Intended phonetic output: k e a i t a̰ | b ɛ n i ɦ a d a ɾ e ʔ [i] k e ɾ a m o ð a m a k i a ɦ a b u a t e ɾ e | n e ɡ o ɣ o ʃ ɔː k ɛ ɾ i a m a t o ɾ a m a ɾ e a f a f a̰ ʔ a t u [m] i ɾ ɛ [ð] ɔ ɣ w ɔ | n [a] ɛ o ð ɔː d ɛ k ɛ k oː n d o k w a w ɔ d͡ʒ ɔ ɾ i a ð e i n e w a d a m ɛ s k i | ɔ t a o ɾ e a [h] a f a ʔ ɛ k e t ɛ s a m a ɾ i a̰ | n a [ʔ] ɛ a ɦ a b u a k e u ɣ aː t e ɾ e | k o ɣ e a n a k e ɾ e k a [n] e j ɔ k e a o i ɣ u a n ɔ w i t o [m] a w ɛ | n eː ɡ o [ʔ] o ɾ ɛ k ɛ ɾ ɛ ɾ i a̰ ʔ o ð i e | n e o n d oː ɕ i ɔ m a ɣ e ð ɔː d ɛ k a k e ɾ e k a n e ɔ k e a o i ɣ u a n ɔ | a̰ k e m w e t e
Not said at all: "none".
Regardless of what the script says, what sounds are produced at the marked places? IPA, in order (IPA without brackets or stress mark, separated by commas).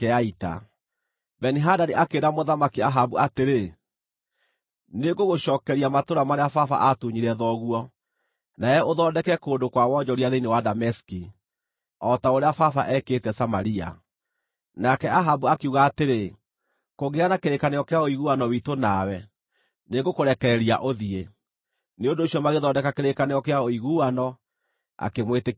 a, ɲ, ð, a, f, k, n, n, k